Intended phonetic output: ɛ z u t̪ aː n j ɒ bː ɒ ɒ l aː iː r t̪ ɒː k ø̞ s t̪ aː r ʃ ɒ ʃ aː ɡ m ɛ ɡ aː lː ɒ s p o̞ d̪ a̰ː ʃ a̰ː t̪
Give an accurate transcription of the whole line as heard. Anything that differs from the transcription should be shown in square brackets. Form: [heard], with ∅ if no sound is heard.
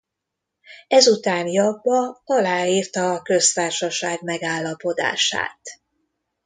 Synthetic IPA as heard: ɛ z u t̪ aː n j ɒ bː ɒ ɒ l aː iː r t̪ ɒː k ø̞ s t̪ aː r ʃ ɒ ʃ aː ɡ m ɛ ɡ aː lː ɒ [∅] p o̞ d̪ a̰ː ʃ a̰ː t̪